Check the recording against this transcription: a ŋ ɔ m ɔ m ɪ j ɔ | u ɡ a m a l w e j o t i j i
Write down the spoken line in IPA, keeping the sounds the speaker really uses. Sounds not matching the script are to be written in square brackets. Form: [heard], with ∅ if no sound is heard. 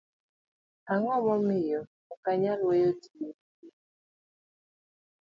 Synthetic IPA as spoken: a ŋ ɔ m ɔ m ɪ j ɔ | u [k] a [ɲ] a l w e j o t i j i